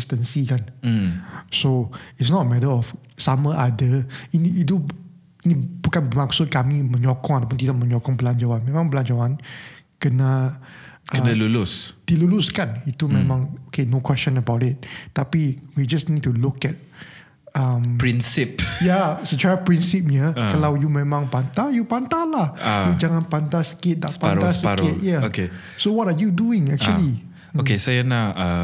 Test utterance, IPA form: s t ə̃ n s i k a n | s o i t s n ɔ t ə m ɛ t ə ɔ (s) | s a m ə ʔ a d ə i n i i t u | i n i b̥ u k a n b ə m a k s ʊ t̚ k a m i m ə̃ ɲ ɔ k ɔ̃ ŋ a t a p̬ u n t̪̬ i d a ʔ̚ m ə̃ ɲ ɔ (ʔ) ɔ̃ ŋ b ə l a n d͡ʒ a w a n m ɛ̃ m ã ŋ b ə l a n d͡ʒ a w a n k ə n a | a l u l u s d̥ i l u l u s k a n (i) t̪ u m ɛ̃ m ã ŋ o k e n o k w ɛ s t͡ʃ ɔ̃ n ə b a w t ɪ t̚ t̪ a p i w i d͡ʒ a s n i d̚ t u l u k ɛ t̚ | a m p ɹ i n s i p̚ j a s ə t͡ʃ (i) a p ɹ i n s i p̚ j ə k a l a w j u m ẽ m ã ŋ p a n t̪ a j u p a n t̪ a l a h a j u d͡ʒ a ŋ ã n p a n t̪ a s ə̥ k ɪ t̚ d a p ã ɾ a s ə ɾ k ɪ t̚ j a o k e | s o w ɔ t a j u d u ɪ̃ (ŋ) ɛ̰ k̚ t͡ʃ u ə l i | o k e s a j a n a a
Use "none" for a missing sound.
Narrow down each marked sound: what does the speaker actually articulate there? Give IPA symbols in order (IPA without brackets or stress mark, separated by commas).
f, k, i, a, ŋ